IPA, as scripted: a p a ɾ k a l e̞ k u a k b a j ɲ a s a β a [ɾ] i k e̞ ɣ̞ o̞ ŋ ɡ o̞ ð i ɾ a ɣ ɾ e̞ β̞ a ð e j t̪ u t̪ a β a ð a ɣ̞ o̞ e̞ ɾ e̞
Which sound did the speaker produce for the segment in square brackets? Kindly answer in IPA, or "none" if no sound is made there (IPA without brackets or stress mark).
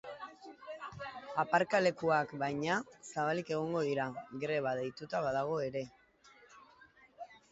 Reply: l